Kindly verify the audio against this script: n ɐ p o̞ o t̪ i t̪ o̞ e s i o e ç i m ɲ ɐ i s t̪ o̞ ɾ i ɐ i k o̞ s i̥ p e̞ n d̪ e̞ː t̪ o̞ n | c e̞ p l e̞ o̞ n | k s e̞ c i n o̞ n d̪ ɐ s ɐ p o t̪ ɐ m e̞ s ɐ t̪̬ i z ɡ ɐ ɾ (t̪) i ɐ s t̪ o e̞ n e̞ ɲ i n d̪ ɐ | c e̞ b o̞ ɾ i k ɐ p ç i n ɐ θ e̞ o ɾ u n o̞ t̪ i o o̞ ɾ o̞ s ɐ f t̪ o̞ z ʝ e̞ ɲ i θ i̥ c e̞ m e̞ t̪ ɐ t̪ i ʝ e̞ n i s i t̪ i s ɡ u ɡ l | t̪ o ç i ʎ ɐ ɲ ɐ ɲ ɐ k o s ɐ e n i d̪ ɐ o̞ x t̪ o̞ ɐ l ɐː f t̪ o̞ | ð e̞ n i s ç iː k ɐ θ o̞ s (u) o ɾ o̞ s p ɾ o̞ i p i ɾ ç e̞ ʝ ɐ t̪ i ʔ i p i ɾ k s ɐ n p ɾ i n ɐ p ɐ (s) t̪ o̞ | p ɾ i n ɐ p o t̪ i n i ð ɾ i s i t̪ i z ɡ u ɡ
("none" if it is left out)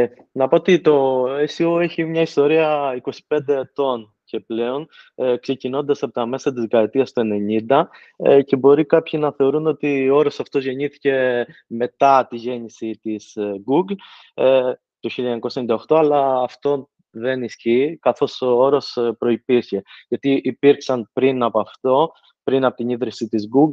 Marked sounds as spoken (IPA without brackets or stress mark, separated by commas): t̪, o, f